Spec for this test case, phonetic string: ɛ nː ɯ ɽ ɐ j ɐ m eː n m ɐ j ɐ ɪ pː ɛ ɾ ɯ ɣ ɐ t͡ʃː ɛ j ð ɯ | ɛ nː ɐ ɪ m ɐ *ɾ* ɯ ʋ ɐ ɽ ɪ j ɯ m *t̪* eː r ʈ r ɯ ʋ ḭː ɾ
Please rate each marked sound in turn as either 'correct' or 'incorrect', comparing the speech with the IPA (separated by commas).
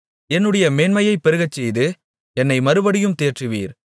correct, correct